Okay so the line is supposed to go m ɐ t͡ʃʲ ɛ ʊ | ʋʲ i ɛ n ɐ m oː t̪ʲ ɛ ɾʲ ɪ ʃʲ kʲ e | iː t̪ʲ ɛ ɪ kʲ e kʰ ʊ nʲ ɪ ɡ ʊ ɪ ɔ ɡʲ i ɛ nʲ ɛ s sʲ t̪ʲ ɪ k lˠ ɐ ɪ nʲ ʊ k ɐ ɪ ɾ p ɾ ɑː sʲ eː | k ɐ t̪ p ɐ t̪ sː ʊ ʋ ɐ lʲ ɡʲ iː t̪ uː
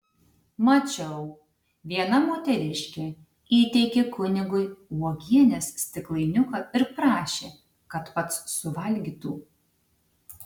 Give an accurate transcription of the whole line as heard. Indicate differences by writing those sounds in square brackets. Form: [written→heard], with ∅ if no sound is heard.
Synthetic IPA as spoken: m ɐ t͡ʃʲ ɛ ʊ | ʋʲ i ɛ n ɐ m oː t̪ʲ ɛ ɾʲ ɪ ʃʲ kʲ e | iː t̪ʲ ɛ ɪ kʲ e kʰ ʊ nʲ ɪ ɡ ʊ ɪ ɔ ɡʲ i ɛ nʲ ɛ s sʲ t̪ʲ ɪ k lˠ ɐ ɪ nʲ ʊ k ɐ ɪ ɾ p ɾ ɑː [sʲ→ʃʲ] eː | k ɐ t̪ p ɐ t̪ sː ʊ ʋ ɐ lʲ ɡʲ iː t̪ uː